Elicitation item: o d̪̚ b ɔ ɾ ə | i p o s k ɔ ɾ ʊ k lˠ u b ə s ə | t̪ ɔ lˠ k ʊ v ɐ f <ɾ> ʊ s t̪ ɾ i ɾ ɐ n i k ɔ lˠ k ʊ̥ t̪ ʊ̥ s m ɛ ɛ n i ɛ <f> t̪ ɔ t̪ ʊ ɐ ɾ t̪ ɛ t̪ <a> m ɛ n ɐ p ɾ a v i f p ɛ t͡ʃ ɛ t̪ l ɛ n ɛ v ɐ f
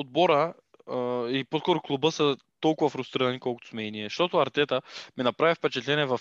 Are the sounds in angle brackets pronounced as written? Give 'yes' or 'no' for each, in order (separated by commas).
yes, no, no